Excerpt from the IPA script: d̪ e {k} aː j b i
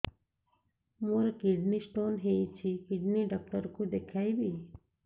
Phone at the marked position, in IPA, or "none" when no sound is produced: kʰ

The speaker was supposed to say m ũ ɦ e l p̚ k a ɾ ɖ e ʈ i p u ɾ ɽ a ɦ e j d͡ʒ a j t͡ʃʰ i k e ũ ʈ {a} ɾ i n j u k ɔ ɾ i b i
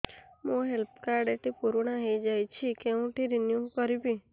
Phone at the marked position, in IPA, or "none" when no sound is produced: i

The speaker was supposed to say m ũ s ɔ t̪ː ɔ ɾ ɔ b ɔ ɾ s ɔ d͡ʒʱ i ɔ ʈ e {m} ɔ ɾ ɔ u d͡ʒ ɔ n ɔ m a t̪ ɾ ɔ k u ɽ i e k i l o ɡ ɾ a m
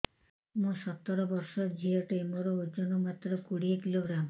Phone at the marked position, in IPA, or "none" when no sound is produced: m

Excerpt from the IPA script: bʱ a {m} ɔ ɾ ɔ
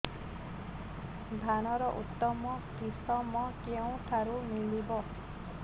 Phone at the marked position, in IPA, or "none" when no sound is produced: n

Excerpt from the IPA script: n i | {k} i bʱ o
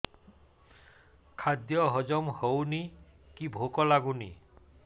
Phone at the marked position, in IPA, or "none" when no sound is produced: k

